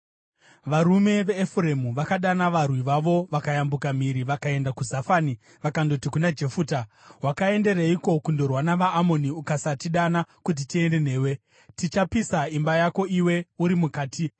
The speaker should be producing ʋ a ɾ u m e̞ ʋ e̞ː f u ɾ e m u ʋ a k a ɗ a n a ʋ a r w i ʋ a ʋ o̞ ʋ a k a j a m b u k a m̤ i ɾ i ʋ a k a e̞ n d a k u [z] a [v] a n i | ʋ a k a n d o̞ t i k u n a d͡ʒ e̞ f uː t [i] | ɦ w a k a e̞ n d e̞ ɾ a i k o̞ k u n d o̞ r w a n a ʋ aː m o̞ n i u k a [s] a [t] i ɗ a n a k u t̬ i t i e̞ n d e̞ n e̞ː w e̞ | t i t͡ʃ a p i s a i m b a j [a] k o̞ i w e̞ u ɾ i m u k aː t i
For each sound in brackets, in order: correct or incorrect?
correct, incorrect: f, incorrect: a, correct, correct, correct

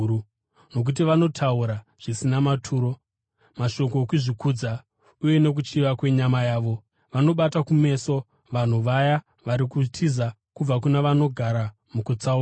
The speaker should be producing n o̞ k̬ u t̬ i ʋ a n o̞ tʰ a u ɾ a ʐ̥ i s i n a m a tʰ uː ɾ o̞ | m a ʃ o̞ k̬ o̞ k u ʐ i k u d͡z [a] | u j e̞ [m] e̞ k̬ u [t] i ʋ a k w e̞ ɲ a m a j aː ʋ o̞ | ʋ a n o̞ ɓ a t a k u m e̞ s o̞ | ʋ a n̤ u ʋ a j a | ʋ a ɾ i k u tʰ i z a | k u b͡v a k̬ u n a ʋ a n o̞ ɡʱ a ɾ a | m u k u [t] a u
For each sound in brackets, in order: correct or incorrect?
correct, incorrect: n, incorrect: t͡ʃ, incorrect: t͡s

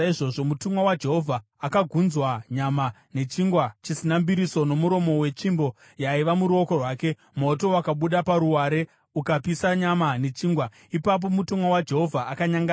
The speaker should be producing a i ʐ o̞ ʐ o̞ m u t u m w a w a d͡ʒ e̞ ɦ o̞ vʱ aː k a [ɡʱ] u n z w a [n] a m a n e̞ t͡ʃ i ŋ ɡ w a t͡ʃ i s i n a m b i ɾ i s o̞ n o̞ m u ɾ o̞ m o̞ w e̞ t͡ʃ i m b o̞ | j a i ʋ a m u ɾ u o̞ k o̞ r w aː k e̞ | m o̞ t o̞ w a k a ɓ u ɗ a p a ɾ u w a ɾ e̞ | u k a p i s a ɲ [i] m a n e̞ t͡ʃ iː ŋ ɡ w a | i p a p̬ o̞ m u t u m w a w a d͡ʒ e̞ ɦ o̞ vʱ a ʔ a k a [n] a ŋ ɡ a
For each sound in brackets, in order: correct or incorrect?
correct, incorrect: ɲ, incorrect: a, incorrect: ɲ

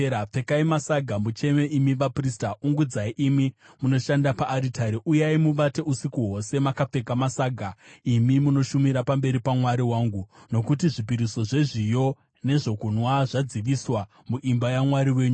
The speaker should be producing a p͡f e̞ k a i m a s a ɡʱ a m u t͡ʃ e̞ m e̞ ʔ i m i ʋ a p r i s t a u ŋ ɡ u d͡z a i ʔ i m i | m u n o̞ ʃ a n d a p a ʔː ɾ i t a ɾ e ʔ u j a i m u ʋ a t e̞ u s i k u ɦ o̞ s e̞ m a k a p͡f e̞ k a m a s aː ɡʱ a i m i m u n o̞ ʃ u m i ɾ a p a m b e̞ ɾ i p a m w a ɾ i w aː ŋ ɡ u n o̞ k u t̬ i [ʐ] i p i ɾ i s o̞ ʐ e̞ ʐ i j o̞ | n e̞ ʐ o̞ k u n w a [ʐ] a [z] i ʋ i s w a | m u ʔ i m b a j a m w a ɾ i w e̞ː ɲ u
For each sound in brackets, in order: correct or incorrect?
correct, correct, incorrect: d͡z

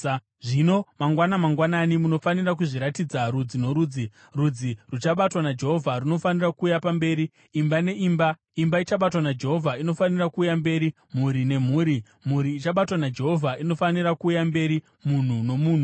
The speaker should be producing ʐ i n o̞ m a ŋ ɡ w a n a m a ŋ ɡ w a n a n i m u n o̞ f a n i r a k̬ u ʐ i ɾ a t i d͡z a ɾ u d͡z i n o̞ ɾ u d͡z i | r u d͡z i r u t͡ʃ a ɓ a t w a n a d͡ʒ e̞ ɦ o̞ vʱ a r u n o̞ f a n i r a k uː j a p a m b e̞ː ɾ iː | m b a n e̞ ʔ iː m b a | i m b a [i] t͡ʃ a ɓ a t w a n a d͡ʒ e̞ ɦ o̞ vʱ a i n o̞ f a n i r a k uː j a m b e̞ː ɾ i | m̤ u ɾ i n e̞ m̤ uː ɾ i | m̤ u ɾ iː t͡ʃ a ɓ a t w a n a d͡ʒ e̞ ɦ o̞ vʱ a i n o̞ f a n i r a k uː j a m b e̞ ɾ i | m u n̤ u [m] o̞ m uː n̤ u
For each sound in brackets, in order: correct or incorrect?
correct, incorrect: n

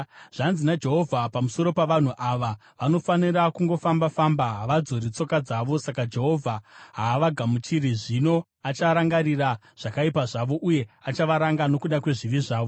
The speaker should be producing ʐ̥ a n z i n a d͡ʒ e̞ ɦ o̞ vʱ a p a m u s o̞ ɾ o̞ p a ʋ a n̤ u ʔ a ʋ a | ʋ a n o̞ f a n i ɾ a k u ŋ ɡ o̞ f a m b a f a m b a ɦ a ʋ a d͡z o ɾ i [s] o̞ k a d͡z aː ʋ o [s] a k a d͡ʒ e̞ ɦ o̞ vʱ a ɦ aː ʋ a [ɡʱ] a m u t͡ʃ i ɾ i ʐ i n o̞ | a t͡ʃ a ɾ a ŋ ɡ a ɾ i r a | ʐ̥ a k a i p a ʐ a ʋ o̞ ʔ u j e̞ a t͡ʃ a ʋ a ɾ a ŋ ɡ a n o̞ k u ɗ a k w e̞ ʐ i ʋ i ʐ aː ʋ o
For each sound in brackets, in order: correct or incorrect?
incorrect: t͡s, correct, correct

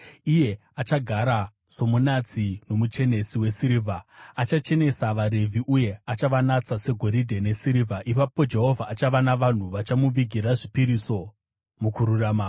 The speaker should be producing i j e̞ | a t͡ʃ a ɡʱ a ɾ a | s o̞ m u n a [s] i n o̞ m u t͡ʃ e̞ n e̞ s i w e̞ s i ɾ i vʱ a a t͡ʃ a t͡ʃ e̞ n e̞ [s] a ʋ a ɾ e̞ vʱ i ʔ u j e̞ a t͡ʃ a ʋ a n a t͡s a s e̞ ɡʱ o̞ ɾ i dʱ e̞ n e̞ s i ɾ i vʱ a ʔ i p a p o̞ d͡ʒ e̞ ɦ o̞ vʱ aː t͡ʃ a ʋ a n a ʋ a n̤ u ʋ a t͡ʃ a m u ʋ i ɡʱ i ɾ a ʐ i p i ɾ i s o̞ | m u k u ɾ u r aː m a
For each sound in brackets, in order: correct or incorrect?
incorrect: t͡s, correct

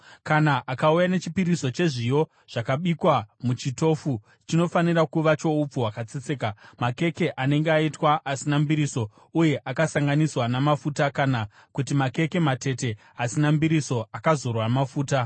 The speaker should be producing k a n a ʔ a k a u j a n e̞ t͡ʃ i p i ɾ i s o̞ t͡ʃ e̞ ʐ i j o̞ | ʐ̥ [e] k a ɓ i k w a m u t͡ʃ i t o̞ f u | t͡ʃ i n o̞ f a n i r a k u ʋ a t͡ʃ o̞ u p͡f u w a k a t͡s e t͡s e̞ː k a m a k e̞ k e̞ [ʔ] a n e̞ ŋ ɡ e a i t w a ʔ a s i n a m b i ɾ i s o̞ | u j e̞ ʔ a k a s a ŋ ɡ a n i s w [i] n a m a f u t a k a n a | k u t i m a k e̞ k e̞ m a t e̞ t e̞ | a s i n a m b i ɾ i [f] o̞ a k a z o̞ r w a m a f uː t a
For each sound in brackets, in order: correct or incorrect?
incorrect: a, correct, incorrect: a, incorrect: s

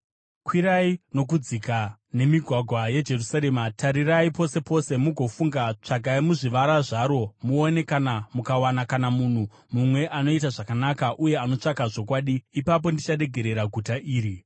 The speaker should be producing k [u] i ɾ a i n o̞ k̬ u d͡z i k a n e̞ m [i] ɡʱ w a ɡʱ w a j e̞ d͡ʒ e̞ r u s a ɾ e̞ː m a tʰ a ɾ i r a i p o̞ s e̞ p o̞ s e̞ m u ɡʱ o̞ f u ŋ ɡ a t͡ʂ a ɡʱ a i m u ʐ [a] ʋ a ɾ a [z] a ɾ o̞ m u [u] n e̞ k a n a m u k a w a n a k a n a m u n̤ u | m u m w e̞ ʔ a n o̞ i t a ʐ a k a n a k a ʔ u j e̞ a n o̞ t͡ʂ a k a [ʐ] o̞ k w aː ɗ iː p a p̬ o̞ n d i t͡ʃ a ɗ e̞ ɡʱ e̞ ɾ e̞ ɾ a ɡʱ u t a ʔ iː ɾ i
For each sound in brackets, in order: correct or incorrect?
incorrect: w, correct, incorrect: i, incorrect: ʐ, incorrect: o, correct

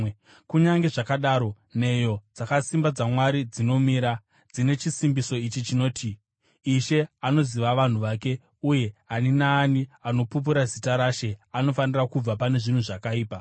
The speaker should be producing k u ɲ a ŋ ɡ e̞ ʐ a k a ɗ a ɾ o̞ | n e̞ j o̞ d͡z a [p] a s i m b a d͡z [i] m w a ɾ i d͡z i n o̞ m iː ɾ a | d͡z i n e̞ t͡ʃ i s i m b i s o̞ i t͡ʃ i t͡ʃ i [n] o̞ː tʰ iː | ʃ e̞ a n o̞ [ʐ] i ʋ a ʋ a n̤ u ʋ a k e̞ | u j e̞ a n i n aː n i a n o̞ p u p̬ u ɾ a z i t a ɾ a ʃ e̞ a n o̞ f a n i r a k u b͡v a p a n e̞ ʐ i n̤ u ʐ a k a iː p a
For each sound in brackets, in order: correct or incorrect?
incorrect: k, incorrect: a, correct, incorrect: z

